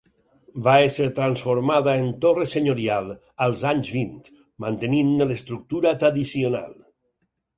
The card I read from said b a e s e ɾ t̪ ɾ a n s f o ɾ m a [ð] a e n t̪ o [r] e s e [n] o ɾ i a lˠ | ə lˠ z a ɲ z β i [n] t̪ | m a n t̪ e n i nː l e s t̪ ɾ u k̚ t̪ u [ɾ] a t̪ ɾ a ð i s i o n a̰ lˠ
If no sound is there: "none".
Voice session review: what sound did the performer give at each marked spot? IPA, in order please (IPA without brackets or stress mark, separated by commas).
ð, r, ɲ, n, ɾ